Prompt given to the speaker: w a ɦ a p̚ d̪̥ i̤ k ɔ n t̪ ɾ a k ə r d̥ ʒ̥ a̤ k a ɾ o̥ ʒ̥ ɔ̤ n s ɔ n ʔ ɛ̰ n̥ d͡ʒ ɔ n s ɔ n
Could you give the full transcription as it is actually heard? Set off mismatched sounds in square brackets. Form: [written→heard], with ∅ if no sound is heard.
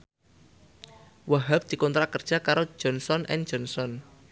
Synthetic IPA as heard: w a ɦ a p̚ d̪̥ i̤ k ɔ n t̪ ɾ a k ə r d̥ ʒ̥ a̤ k a ɾ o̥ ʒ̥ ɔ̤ n s ɔ n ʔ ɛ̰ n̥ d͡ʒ ɔ n s ɔ n